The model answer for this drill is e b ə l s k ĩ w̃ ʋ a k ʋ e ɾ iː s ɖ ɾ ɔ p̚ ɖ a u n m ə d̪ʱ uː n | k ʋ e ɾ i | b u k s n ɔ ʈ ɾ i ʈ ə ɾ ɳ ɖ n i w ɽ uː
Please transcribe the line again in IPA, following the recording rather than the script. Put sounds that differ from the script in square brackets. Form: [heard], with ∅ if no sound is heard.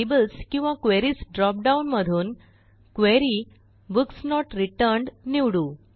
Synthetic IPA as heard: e b ə l s k ĩ w̃ ʋ a k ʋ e ɾ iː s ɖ ɾ ɔ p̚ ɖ a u n m ə d̪ʱ uː n | k ʋ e ɾ i | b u k s n ɔ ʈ ɾ i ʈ ə ɾ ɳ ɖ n i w ɽ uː

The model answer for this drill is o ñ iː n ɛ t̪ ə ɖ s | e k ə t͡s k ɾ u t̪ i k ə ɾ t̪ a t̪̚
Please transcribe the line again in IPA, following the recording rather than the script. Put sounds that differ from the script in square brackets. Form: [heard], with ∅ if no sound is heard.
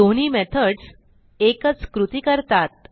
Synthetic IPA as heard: o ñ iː [m] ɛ [t̪ʰ] ə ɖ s | e k ə t͡s k ɾ u t̪ i k ə ɾ t̪ a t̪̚

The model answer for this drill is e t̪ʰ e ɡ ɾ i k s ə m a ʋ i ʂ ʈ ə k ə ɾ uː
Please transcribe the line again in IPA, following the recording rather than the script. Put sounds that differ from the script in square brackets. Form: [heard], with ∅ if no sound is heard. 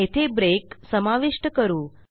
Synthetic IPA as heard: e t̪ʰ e [b] ɾ [e] k s ə m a ʋ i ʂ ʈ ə k ə ɾ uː

